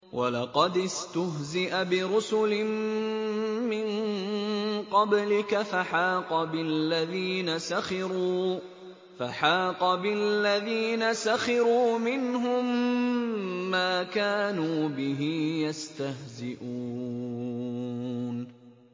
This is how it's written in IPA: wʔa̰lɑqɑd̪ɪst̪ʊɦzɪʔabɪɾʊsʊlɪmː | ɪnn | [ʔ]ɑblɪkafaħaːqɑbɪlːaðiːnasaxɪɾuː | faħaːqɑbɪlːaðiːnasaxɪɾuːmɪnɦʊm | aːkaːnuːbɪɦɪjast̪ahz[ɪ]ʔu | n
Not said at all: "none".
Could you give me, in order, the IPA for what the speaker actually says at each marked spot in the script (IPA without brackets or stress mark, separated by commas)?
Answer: q, ɪ